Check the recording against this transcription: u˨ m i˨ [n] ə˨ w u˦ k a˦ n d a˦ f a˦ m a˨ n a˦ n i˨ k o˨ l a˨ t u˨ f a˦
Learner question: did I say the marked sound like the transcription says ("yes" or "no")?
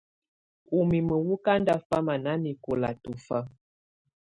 no